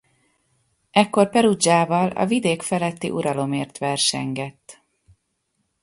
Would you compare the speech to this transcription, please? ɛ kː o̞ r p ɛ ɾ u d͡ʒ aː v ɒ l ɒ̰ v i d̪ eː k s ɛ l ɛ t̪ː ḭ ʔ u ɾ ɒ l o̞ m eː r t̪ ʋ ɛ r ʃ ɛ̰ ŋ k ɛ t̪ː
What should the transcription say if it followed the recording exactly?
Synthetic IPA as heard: ɛ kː o̞ r p ɛ ɾ u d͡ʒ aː v ɒ l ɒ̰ v i d̪ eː k f ɛ l ɛ t̪ː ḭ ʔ u ɾ ɒ l o̞ m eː r t̪ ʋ ɛ r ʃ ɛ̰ ŋ ɡ ɛ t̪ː